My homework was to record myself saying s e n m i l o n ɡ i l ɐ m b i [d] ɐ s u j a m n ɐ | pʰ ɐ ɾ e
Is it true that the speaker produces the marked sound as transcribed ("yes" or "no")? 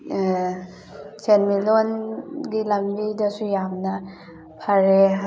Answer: yes